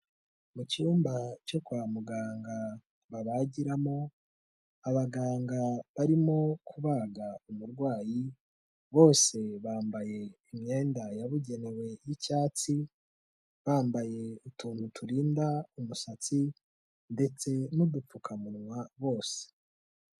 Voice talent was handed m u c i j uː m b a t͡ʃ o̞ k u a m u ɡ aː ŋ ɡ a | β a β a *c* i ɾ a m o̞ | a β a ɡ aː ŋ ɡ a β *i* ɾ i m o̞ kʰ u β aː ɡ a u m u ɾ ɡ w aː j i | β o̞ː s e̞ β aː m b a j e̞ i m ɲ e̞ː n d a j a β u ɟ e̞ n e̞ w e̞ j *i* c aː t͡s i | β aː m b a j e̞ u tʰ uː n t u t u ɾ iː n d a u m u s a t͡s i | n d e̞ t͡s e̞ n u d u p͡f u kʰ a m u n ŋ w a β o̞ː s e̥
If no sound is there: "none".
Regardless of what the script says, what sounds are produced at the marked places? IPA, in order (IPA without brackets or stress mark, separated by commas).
ɟ, a, i